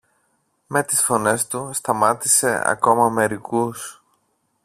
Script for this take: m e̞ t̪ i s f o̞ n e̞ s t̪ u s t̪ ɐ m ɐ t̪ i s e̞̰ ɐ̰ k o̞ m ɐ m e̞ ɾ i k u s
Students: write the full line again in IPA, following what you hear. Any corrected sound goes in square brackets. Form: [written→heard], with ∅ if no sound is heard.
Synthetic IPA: m e̞ t̪ i s f o̞ n e̞ s t̪ u s t̪ ɐ m ɐ t̪ i s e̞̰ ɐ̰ k o̞ m ɐ m e̞ ɾ i k u s